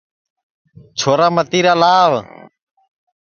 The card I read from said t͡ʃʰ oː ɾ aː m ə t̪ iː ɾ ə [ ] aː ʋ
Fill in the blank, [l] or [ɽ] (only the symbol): l